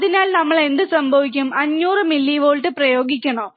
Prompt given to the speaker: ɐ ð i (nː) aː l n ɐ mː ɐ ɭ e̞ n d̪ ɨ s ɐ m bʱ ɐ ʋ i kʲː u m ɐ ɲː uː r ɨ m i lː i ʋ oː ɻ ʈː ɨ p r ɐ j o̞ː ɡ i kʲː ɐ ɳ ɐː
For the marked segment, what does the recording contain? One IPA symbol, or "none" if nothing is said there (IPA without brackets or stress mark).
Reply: n